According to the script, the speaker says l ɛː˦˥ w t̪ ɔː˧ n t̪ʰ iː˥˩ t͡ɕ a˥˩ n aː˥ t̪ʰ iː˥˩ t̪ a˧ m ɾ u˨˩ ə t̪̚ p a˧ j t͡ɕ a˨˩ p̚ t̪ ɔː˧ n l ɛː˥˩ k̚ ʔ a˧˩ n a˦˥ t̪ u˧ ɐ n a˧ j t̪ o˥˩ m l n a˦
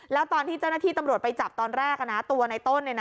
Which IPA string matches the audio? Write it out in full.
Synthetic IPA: l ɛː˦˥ w t̪ ɔː˧ n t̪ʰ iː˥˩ t͡ɕ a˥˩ n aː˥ t̪ʰ iː˥˩ t̪ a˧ m ɾ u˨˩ ə t̪̚ p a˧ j t͡ɕ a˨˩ p̚ t̪ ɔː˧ n ɾ ɛː˥˩ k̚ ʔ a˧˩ n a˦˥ t̪ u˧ ɐ n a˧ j t̪ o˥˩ n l n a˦

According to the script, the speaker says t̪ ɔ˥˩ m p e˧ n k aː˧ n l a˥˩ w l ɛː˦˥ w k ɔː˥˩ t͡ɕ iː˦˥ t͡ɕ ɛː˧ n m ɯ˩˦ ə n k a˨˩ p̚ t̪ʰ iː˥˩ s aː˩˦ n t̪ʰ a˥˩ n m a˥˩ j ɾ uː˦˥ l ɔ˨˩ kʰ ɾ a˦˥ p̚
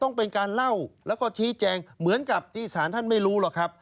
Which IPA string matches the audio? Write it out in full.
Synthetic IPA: t̪ ɔ˥˩ ŋ p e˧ n k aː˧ n l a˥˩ w l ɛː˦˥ w k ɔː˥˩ t͡ɕʰ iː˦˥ t͡ɕ ɛː˧ ŋ m ɯ˩˦ ə n k a˨˩ p̚ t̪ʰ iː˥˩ s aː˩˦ n t̪ʰ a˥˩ n m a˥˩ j ɾ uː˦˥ l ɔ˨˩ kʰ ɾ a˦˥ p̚

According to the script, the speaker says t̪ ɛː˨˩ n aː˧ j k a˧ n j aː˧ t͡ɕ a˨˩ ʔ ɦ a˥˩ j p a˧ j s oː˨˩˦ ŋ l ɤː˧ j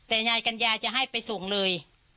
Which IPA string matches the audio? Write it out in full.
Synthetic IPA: t̪ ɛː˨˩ ɲ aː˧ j k a˧ n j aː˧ t͡ɕ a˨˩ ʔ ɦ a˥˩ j p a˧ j s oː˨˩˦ ŋ l ɤː˧ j

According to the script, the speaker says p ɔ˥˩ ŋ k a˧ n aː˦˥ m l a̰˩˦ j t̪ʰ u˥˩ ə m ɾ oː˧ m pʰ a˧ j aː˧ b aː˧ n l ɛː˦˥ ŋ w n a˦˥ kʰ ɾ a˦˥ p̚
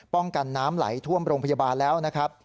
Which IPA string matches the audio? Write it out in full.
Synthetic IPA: p ɔ˥˩ ŋ k a˧ nː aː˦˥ m l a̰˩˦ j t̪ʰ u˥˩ ə m ɾ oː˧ ŋ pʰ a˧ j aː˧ b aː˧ n l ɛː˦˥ w n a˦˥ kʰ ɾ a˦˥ p̚

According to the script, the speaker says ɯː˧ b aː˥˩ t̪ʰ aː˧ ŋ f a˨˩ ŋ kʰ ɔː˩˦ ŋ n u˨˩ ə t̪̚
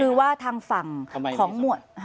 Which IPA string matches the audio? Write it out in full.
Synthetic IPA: ɯː˧ w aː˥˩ t̪ʰ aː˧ ŋ f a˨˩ ŋ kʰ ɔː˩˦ ŋ m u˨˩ ə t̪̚

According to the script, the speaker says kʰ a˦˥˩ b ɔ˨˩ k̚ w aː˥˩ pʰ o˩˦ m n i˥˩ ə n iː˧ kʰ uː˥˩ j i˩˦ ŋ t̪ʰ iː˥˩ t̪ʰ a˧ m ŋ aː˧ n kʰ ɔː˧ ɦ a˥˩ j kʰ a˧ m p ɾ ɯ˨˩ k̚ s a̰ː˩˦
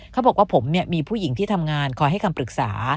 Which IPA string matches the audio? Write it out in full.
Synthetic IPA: kʰ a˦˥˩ b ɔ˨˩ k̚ w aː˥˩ pʰ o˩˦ m n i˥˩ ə m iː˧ pʰ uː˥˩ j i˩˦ ŋ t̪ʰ iː˥˩ t̪ʰ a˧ m ŋ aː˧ n kʰ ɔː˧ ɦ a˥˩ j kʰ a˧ m p ɾ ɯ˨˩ k̚ s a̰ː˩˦

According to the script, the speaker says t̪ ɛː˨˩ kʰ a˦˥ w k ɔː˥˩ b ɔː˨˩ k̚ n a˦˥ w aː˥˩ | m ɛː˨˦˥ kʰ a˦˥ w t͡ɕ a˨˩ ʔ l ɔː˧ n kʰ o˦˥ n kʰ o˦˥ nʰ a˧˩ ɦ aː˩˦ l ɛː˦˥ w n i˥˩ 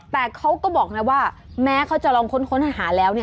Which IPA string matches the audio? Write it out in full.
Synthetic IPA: t̪ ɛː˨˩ kʰ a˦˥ w k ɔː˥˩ b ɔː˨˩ k̚ n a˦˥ w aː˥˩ | m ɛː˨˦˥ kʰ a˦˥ w t͡ɕ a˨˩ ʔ l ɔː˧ ŋ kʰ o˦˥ n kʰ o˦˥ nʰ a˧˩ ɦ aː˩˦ l ɛː˦˥ w n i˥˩

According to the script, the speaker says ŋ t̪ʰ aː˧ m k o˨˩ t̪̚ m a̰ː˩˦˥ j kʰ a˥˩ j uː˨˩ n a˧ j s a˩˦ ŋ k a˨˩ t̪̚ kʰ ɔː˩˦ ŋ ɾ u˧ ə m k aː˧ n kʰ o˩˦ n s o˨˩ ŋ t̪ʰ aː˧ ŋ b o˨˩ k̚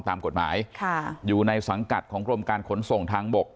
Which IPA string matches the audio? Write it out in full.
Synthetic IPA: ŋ t̪ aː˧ m k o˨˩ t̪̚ m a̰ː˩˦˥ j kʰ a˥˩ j uː˨˩ n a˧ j s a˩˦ ŋ k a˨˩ t̪̚ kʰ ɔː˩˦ ŋ ɾ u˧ ə m k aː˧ n kʰ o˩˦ n s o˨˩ ŋ t̪ʰ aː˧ ŋ b o˨˩ k̚

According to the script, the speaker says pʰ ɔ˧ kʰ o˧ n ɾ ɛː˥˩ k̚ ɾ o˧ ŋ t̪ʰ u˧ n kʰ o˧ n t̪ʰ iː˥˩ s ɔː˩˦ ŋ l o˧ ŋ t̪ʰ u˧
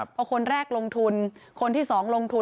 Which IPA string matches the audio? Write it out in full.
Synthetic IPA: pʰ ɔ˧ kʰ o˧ n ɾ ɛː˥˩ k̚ l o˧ ŋ t̪ʰ u˧ n kʰ o˧ n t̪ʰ iː˥˩ s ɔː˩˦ ŋ l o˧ ŋ t̪ʰ u˧

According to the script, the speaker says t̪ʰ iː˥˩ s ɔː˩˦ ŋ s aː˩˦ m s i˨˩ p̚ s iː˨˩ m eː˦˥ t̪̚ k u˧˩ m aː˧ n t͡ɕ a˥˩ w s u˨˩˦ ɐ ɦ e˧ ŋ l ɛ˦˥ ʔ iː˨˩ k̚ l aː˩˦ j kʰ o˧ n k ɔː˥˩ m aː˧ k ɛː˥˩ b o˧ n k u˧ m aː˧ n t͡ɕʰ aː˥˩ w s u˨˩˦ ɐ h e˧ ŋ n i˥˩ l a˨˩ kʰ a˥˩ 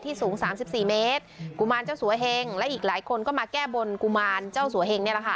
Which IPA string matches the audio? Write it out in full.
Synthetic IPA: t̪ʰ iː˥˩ s uː˩˦ ŋ s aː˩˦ m s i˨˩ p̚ s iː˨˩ m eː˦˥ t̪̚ k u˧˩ m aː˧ n t͡ɕ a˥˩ w s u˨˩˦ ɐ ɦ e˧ ŋ l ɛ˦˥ ʔ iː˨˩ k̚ l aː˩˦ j kʰ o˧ n k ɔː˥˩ m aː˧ k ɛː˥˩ b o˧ n k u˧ m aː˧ n t͡ɕ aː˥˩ w s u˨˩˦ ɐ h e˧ ŋ n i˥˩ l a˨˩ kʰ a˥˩

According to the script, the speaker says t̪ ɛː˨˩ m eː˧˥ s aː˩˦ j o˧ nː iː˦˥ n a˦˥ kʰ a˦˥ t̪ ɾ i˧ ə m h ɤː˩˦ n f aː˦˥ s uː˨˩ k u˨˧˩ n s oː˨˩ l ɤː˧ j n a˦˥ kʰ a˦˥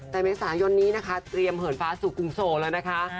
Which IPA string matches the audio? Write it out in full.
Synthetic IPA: t̪ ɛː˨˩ m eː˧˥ s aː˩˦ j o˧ nː iː˦˥ n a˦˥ kʰ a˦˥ t̪ ɾ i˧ ə m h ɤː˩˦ n f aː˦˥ s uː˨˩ k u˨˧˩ ŋ s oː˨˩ l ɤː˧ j n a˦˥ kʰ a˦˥

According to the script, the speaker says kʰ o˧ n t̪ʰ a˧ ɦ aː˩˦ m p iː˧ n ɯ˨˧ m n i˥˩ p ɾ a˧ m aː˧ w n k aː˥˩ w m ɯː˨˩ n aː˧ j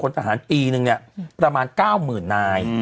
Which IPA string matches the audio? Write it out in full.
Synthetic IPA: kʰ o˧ n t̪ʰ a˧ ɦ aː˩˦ n p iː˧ n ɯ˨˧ ŋ n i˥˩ p ɾ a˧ m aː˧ n k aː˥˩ w m ɯː˨˩ nː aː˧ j

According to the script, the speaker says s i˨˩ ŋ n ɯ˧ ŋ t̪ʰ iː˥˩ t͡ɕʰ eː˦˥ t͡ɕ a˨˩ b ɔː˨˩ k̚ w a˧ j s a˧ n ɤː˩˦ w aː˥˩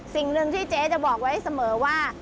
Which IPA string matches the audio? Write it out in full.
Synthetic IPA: s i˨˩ ŋ n ɯ˧ ŋ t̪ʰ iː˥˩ t͡ɕ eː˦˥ t͡ɕ a˨˩ b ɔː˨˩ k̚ w a˦˥ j s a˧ m ɤː˩˦ w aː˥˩

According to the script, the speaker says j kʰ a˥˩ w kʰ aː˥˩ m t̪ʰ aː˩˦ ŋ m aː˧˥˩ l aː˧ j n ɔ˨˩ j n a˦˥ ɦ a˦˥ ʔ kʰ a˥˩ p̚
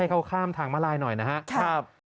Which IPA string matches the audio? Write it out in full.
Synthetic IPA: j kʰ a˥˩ w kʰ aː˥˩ m t̪ʰ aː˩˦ ŋ m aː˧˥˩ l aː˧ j n ɔ˨˩ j n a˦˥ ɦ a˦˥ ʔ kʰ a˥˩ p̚

